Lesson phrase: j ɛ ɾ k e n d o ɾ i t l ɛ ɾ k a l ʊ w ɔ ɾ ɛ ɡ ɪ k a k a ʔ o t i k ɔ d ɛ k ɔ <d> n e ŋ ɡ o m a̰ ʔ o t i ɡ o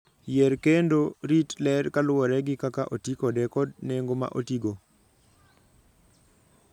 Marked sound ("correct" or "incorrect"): correct